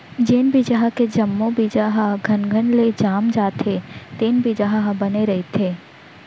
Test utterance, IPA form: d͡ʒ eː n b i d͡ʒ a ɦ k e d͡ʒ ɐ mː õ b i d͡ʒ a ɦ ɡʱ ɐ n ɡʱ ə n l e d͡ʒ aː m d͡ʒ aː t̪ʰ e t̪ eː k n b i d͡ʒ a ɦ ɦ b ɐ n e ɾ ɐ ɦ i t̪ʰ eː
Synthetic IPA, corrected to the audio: d͡ʒ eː n b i d͡ʒ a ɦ k e d͡ʒ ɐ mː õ b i d͡ʒ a ɦ ɡʱ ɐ n ɡʱ ə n l e d͡ʒ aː m d͡ʒ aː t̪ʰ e t̪ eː n b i d͡ʒ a ɦ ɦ b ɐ n e ɾ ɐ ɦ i t̪ʰ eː